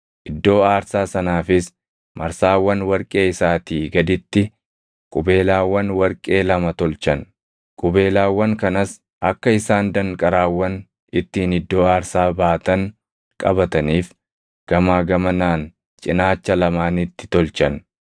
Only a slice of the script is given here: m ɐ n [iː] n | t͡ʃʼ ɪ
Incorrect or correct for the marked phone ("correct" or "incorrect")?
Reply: incorrect